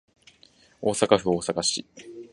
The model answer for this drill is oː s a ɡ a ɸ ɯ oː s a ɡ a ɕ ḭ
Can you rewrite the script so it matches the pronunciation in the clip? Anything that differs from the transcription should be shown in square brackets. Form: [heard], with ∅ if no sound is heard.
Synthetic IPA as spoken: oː s a [k] a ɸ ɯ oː s a [k] a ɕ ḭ